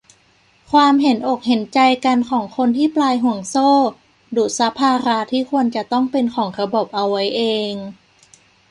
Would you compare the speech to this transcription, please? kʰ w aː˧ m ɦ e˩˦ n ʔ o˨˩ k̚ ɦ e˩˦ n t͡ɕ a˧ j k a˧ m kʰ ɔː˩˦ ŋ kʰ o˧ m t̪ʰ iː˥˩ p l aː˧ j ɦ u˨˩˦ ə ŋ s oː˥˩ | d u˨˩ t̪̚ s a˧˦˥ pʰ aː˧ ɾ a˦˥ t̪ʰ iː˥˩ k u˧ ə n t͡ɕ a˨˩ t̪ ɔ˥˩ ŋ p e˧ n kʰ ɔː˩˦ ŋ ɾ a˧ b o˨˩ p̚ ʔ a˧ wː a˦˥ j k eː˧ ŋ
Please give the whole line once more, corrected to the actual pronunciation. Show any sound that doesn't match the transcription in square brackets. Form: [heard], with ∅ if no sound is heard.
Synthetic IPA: kʰ w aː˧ m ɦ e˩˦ n ʔ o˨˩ k̚ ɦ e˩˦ n t͡ɕ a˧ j k a˧ [n] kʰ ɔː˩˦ ŋ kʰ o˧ [n] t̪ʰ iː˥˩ p l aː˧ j ɦ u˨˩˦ ə ŋ s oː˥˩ | d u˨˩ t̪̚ s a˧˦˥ pʰ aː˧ ɾ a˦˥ t̪ʰ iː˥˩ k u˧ ə n t͡ɕ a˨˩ t̪ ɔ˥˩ ŋ p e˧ n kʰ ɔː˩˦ ŋ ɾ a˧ b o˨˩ p̚ ʔ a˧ wː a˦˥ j [ʔ] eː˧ ŋ